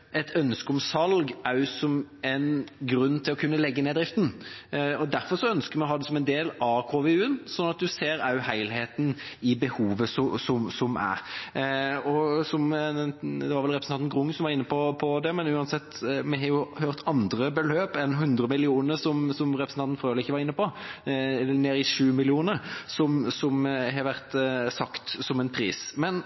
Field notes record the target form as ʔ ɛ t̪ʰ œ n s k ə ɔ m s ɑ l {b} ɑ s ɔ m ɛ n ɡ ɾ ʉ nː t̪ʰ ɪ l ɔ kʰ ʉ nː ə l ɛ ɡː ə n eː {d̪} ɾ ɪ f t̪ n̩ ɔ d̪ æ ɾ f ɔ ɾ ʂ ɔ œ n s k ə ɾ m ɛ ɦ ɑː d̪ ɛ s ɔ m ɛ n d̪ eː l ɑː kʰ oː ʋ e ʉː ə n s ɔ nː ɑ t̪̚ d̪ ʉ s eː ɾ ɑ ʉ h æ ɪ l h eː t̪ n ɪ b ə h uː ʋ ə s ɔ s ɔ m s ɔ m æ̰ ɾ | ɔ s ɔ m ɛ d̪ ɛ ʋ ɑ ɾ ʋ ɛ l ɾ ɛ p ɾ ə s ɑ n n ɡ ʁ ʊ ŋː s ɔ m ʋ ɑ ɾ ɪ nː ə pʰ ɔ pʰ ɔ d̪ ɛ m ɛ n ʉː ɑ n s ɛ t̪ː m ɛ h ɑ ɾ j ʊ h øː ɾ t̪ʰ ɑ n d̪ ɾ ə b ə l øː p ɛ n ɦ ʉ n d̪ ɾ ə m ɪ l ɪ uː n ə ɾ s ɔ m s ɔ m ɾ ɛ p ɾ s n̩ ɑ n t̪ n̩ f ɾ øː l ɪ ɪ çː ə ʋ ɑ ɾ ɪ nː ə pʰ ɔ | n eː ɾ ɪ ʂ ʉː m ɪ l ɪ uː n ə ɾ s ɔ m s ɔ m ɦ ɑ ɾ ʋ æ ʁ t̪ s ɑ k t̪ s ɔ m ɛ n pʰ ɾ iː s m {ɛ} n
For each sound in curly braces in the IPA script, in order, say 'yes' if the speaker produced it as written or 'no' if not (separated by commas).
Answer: no, yes, yes